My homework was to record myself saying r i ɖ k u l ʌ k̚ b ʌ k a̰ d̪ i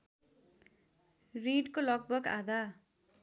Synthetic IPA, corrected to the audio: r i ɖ k o l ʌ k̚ b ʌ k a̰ d̪ a